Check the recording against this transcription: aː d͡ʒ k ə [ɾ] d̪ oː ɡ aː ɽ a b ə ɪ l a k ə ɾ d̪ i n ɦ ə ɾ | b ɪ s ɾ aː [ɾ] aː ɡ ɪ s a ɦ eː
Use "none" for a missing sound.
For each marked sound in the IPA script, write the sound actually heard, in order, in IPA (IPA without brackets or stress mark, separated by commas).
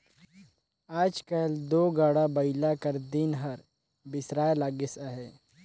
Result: l, l